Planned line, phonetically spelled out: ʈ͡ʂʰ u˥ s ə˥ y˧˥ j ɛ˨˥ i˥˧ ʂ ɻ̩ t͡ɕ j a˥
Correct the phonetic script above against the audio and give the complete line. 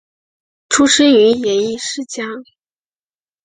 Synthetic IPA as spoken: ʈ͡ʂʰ u˥ ʂ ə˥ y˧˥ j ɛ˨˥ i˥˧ ʂ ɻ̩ t͡ɕ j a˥